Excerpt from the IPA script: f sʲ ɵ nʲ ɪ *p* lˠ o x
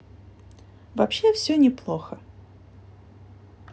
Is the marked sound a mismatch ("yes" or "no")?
no